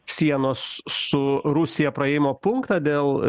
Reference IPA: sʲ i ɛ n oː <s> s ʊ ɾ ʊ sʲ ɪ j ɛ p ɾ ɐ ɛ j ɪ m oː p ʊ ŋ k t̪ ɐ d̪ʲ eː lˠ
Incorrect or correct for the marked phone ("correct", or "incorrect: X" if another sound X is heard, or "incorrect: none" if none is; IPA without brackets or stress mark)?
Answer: correct